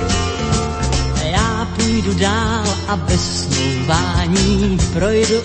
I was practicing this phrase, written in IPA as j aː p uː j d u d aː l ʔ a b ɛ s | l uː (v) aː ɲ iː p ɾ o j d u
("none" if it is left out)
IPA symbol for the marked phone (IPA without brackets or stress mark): v